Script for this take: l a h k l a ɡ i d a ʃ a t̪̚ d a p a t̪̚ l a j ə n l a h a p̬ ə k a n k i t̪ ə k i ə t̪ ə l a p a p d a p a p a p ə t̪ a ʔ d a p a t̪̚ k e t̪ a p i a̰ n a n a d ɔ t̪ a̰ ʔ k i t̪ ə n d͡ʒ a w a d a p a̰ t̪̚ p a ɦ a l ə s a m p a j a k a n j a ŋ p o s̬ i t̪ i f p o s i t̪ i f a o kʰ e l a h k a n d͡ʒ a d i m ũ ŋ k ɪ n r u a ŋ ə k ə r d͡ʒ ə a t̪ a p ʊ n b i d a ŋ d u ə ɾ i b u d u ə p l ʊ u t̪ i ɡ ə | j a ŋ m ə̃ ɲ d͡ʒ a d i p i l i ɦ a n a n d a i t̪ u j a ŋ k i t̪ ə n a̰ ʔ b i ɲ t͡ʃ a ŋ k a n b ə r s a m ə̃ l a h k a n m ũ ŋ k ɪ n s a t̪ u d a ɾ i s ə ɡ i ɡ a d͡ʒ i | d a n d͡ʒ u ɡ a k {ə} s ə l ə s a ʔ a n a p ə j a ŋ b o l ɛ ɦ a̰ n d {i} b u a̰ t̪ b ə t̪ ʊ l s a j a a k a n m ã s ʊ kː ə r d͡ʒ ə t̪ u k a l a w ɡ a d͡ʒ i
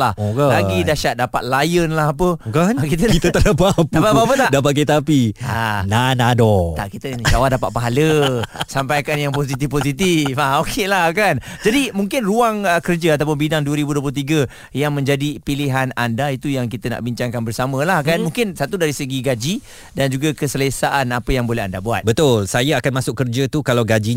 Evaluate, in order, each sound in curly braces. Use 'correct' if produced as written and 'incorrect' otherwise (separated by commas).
correct, incorrect